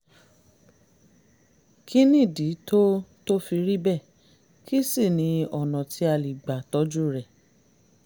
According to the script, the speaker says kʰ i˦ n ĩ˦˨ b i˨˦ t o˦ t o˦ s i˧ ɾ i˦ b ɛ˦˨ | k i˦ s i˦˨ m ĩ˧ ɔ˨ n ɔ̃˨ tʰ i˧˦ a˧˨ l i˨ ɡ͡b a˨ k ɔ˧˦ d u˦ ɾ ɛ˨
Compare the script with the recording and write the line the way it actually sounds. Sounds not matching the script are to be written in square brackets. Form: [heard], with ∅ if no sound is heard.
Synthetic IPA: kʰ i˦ n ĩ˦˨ [d] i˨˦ t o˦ t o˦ [f] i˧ ɾ i˦ b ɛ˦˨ | k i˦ s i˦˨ [n] ĩ˧ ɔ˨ n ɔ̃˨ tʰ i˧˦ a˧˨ l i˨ ɡ͡b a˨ [t] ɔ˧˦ [d͡ʒ] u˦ ɾ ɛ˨

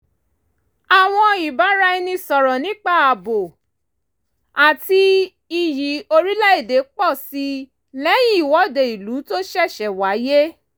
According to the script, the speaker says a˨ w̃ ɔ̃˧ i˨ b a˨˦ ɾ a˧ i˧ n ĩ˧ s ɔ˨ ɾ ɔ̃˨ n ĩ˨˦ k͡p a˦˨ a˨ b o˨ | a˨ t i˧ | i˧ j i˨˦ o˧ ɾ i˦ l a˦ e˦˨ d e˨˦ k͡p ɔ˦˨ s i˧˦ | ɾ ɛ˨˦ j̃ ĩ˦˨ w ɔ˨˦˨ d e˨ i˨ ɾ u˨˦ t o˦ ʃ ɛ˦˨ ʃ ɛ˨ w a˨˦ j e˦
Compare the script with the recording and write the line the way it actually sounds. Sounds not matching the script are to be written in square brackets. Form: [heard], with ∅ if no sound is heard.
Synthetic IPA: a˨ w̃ ɔ̃˧ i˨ b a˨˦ ɾ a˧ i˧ n ĩ˧ s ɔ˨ ɾ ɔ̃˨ n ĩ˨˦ k͡p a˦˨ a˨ b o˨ | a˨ t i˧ | i˧ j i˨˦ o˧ ɾ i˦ l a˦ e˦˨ d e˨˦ k͡p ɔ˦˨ s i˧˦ | [l] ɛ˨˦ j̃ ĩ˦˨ w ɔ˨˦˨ d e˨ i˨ [l] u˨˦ t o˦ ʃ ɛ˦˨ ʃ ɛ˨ w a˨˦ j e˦

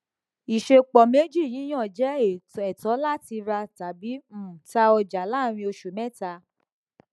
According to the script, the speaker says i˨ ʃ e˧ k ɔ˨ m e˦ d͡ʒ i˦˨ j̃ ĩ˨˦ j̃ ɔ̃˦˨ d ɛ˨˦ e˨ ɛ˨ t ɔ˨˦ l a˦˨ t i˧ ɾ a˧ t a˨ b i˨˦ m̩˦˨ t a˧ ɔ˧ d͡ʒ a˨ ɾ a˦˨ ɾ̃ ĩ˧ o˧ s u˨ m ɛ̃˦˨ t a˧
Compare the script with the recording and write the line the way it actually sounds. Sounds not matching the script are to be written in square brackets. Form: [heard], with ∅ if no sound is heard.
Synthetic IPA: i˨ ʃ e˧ [k͡p] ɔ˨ m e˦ d͡ʒ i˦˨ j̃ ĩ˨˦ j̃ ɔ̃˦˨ [d͡ʒ] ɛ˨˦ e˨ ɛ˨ t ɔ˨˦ l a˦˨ t i˧ ɾ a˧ t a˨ b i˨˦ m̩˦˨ t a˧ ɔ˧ d͡ʒ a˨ [l] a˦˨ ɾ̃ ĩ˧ o˧ [ʃ] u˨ m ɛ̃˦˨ t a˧

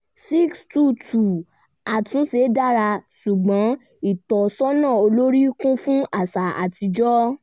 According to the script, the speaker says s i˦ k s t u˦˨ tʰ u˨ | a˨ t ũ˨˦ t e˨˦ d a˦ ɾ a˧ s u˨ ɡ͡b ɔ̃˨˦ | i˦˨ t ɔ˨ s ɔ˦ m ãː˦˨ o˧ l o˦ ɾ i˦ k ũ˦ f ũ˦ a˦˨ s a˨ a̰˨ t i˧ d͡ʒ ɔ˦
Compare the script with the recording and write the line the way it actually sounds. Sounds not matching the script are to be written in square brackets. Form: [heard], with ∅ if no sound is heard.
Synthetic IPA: s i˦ k s t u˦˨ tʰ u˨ | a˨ t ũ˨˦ [s] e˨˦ d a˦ ɾ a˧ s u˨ ɡ͡b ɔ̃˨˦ | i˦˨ t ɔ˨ s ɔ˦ [n] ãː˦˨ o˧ l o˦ ɾ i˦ k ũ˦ f ũ˦ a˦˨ s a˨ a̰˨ t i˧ d͡ʒ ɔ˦

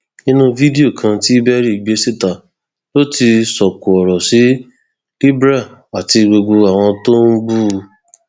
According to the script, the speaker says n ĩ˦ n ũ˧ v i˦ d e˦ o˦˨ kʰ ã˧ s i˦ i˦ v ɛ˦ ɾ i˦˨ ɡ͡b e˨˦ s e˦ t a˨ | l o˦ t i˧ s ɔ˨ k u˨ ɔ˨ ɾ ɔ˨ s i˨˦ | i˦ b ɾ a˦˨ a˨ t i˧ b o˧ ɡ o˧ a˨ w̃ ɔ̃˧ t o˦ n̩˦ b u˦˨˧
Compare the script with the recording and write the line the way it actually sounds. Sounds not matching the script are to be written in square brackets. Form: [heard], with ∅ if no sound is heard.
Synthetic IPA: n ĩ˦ n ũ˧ v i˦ d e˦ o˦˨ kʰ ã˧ [t] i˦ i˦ [b] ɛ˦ ɾ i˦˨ ɡ͡b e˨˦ s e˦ t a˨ | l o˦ t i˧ s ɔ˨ k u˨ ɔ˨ ɾ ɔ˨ s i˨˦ | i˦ b ɾ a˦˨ a˨ t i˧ [ɡ͡b] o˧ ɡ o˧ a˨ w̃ ɔ̃˧ t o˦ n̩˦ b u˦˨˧

